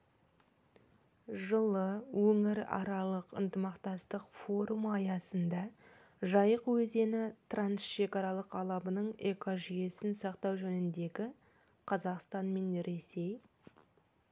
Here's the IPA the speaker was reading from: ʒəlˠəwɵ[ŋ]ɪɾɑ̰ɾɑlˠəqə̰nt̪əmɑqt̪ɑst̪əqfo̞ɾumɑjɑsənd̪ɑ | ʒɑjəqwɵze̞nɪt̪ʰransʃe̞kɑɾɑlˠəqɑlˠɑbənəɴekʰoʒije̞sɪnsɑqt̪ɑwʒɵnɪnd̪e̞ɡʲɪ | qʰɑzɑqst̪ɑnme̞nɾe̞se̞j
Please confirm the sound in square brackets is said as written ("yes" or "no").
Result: yes